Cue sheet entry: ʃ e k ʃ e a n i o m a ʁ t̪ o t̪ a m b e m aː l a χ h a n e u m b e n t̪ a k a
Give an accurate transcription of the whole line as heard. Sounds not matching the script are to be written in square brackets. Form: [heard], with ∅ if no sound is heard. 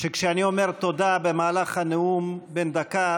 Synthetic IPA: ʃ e k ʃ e a n i o m [e] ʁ t̪ o [d̪] a [∅] b e m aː l a χ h a n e u m b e n [d̪] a k a

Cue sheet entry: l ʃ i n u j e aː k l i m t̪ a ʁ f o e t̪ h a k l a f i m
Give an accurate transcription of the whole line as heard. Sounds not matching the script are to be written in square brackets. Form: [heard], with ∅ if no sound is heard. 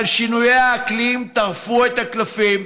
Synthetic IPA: l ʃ i n u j e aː k l i m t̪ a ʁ f [u] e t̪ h a k l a f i m

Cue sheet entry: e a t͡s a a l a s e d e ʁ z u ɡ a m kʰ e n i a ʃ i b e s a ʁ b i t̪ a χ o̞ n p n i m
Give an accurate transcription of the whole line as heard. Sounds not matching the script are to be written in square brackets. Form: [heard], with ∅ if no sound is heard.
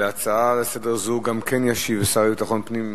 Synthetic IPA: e a t͡s a a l [e] s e d e ʁ z u ɡ a m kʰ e n [j] a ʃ i [v] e s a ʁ b i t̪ a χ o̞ n p n i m

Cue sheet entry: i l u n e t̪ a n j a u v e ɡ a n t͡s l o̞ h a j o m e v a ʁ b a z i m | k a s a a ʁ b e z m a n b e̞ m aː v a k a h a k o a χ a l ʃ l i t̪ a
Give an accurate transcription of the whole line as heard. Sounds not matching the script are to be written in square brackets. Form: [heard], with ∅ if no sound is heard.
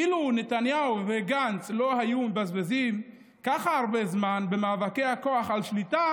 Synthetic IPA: i l u n e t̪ a n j a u v e ɡ a n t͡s l o̞ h a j [u] m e [b] a [z] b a z i m | k a [χ] a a ʁ b e z m a n b e̞ m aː v a k [e] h a k o a χ a l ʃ l i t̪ a

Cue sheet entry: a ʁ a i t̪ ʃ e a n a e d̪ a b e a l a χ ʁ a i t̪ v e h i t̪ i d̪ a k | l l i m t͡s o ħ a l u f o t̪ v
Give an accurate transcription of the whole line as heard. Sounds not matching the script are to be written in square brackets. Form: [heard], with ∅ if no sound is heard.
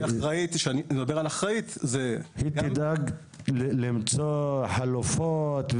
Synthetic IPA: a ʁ a i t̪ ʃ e a n [i] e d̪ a b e a l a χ ʁ a i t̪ [z] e h i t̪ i d̪ a [ɡ] | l l i m t͡s o ħ a l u f o t̪ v

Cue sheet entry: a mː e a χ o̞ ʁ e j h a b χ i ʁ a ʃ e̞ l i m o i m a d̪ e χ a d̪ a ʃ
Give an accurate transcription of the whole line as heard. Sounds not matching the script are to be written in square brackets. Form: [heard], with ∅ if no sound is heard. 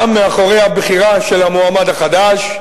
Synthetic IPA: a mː e a χ o̞ ʁ e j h a b χ i ʁ a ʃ e̞ l [a] m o [a] m a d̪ [a] χ a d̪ a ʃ

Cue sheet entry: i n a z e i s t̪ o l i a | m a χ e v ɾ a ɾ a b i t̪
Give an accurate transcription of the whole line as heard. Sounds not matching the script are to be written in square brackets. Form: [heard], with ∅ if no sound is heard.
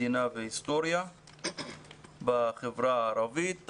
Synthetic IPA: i n a [v] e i s t̪ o [ɾ] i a | [b] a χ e v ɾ a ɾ a [v] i t̪

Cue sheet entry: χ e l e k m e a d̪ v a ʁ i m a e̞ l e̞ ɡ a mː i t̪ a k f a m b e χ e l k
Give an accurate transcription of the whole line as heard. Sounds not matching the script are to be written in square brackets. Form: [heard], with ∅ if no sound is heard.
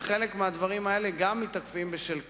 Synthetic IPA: χ e l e k m e a d̪ v a ʁ i m a e̞ l e̞ ɡ a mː i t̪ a k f [i] m b e [ʃ] e l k

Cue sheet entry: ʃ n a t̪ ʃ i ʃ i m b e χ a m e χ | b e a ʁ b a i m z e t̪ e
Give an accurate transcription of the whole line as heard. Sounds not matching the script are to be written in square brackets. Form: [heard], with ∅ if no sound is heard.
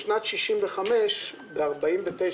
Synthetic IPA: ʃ n a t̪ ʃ i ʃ i m [v] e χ a m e [ʃ] | b e a ʁ b a i m [v] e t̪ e

